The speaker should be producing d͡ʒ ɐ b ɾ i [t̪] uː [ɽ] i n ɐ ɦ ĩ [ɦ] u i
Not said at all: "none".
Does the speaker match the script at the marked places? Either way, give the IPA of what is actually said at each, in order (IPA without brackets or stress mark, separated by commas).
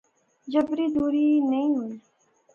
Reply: d̪, ɾ, ɦ